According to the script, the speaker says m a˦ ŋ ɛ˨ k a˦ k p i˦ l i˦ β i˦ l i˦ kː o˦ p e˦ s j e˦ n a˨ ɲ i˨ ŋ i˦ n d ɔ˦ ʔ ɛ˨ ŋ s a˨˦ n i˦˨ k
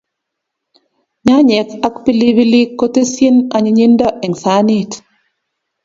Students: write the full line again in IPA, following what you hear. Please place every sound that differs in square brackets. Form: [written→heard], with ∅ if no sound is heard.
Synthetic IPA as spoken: [m→ɲ] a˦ [ŋ→ɲ] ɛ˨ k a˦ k p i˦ l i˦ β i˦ l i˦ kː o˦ [p→t] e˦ s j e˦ n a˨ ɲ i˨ [ŋ→ɲ] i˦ n d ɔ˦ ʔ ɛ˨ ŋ s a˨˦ n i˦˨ [k→t]